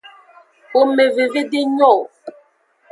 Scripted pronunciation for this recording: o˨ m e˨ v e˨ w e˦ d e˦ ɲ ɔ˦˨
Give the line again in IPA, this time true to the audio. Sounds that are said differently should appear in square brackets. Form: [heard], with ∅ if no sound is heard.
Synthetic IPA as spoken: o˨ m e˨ v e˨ [v] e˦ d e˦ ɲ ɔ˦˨